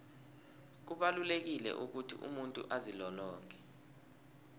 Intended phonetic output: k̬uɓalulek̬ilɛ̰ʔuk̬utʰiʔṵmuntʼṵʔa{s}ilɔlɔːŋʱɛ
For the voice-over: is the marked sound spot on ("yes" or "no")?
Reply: no